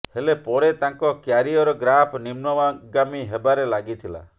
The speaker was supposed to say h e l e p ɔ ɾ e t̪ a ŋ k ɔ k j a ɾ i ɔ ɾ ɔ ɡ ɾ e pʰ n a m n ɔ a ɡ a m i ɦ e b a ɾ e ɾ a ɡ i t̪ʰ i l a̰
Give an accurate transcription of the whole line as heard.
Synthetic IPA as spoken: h e l e p ɔ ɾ e t̪ a ŋ k ɔ k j a ɾ i ɔ ɾ ɔ ɡ ɾ a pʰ n i m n ɔ a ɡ a m i ɦ e b a ɾ e l a ɡ i t̪ʰ i l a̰